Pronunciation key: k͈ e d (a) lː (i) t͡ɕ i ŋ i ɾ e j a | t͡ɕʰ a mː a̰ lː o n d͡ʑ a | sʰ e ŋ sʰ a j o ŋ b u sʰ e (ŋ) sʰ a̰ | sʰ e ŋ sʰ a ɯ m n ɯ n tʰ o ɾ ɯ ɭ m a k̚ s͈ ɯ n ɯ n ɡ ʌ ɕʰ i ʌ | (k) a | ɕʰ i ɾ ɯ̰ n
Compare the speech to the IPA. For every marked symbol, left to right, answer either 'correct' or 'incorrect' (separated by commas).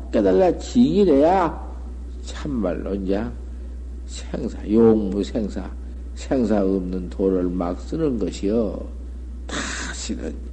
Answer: correct, incorrect, correct, incorrect